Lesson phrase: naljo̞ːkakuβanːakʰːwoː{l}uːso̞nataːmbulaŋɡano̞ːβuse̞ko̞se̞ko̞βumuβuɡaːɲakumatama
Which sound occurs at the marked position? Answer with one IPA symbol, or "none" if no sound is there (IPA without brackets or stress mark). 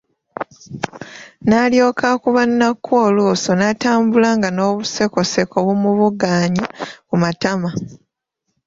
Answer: l